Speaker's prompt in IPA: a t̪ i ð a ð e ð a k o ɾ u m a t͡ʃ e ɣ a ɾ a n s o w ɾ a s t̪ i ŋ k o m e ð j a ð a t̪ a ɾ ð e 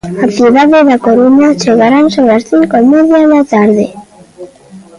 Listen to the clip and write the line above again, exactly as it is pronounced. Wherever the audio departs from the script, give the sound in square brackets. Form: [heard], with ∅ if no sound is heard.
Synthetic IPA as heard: a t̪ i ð a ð e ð a k o ɾ u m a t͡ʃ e ɣ a ɾ a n s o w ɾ a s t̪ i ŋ k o m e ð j a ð a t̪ a ɾ ð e